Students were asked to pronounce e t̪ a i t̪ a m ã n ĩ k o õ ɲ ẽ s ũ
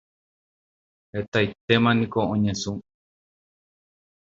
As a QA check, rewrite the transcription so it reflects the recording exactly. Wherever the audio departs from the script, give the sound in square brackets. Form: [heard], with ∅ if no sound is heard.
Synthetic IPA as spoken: e t̪ a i t̪ [e] m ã n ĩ k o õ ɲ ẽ s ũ